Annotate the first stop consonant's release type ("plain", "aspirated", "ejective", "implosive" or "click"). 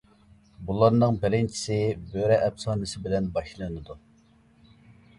plain